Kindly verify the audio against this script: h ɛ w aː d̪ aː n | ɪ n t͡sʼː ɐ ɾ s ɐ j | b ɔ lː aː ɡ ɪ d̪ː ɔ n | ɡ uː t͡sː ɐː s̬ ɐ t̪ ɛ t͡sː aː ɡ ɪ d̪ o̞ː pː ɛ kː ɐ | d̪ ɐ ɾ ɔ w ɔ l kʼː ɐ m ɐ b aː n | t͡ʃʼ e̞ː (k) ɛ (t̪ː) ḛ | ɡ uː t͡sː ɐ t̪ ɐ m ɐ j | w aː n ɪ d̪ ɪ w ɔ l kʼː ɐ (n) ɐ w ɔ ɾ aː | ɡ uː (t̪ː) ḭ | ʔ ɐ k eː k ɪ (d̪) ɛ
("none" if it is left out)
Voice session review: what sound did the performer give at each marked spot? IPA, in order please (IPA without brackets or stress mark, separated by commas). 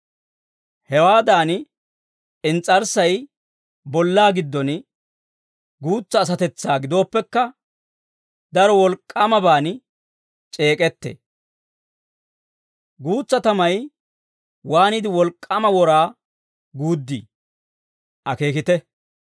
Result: kʼ, t̪ː, m, d̪ː, t̪